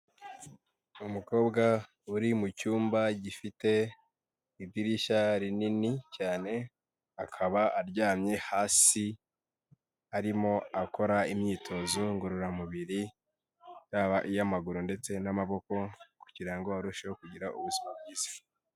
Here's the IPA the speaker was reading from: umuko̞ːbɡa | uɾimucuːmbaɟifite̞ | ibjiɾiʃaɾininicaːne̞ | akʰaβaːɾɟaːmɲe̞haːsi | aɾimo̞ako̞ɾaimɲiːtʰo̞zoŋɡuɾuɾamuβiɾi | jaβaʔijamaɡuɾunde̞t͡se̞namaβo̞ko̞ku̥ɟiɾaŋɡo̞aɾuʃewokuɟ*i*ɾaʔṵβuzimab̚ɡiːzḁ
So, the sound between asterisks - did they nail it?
yes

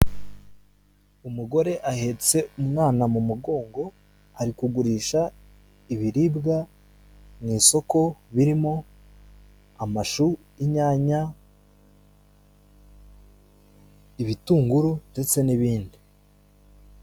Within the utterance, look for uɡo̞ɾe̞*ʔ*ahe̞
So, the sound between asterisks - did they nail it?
yes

